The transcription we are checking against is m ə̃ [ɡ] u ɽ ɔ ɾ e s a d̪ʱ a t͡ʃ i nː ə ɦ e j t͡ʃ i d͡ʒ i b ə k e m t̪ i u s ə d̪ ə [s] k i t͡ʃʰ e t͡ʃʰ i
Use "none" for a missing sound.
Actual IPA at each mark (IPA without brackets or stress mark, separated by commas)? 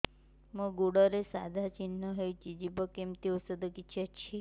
ɡ, none